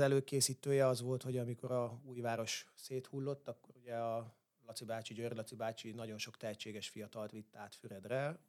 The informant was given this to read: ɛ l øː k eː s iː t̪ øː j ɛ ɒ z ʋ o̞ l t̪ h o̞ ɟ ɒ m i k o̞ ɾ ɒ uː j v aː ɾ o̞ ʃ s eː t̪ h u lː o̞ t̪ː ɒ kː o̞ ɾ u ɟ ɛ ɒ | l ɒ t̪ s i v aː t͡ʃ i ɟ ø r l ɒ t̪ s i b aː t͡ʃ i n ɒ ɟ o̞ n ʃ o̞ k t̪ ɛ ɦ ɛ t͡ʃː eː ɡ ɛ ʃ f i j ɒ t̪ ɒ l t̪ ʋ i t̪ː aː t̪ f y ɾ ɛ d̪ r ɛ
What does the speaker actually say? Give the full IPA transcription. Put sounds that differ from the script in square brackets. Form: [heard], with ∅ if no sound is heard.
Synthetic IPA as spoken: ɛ l øː k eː s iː t̪ øː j ɛ ɒ z ʋ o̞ l t̪ h o̞ ɟ ɒ m i k o̞ ɾ ɒ uː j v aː ɾ o̞ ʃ s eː t̪ h u lː o̞ t̪ː ɒ kː o̞ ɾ u ɟ ɛ ɒ | l ɒ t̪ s i [b] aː t͡ʃ i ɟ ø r l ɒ t̪ s i b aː t͡ʃ i n ɒ ɟ o̞ n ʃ o̞ k t̪ ɛ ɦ ɛ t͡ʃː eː ɡ ɛ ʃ f i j ɒ t̪ ɒ l t̪ ʋ i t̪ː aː t̪ f y ɾ ɛ d̪ r ɛ